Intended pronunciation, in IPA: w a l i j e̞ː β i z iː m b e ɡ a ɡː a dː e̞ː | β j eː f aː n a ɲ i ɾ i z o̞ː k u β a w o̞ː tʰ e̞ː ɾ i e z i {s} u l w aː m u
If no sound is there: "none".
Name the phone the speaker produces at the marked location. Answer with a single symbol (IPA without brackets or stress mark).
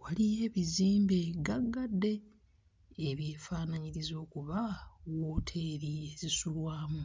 s